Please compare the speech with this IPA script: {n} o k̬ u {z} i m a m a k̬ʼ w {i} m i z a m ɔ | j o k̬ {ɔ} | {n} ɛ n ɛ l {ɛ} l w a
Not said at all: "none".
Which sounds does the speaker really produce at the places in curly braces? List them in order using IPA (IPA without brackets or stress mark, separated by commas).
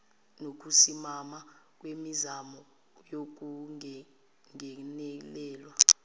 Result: n, s, e, u, ŋ, ɛː